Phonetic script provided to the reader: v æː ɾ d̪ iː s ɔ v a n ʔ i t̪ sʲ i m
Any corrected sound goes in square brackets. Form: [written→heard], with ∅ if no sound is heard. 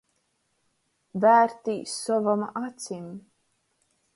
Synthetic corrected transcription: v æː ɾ [d̪→t̪] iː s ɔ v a [n→m] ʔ [i→a] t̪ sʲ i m